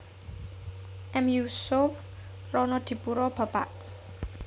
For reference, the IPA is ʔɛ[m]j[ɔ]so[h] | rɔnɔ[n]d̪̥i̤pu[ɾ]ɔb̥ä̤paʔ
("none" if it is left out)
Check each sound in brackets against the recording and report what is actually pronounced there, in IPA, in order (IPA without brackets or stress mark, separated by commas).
m, u, f, none, ɾ